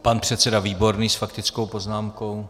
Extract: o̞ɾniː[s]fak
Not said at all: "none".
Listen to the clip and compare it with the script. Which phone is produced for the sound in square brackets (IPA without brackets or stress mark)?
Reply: s